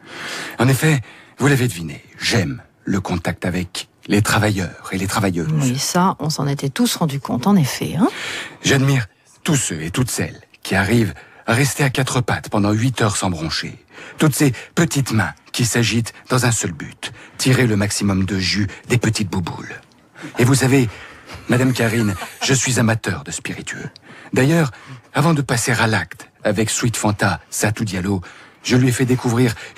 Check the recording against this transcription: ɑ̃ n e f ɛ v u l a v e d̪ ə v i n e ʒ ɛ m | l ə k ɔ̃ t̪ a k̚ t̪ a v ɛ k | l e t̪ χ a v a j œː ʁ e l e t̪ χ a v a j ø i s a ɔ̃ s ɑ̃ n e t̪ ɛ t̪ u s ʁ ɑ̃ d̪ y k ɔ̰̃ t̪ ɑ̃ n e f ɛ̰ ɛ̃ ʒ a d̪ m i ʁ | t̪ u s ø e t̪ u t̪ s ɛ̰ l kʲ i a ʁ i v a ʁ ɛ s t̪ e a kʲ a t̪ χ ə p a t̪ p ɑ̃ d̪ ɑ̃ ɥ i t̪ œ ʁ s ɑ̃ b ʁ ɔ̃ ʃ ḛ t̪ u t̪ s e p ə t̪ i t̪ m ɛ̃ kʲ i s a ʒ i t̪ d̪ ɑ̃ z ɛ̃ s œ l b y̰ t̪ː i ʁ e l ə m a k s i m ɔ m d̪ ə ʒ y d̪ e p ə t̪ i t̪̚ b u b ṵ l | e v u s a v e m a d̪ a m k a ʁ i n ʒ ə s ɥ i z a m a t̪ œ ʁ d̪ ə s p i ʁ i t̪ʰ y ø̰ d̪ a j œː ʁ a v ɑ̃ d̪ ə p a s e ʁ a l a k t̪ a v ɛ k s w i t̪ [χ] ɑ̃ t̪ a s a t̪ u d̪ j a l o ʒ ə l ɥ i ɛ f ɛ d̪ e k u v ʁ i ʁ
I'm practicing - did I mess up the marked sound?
yes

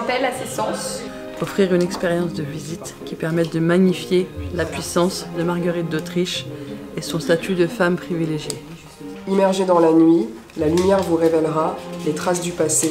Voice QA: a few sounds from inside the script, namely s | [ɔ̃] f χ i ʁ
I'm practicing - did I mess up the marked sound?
yes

